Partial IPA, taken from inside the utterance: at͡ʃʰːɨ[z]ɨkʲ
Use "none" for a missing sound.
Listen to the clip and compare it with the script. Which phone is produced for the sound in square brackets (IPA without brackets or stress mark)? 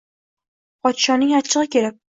ʁ